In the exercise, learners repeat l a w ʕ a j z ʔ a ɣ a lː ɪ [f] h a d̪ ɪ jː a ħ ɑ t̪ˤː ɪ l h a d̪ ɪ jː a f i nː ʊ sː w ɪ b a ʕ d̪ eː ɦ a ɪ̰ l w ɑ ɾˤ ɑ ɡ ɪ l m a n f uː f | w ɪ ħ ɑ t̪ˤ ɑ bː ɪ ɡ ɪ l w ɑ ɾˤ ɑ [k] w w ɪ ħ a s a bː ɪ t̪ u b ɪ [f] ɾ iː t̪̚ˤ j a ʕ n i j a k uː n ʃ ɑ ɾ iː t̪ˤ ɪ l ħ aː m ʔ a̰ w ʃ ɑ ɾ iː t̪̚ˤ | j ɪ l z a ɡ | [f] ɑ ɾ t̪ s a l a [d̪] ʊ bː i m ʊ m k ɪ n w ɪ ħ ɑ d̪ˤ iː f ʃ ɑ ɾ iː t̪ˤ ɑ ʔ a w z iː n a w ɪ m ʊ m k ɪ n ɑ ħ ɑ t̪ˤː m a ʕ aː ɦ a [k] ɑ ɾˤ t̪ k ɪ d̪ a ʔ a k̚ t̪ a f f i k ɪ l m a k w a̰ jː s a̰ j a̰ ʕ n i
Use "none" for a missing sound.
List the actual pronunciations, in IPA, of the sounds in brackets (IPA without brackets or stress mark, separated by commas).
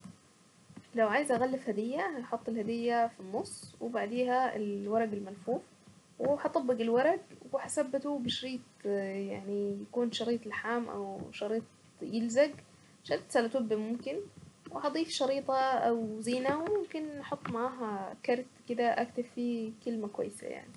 f, ɡ, ʃ, ʃ, t̪, k